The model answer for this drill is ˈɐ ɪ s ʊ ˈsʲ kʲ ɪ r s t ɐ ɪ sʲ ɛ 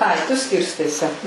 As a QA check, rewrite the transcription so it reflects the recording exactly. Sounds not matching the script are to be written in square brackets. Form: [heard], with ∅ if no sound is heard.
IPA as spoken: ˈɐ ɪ [t] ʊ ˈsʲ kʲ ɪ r s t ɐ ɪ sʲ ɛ